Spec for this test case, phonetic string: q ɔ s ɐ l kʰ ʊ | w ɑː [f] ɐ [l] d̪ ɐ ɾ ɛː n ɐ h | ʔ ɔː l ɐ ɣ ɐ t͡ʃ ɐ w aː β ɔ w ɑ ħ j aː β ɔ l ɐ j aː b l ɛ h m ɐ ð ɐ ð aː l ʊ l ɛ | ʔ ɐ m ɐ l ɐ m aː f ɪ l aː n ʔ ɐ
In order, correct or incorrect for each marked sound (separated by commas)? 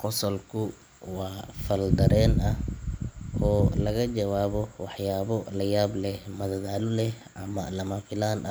correct, correct